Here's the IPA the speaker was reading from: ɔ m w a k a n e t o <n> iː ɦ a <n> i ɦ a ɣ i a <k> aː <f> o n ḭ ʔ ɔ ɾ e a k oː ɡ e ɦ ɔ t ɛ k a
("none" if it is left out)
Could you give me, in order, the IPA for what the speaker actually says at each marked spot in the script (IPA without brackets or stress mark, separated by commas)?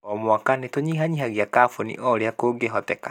ɲ, ɲ, k, f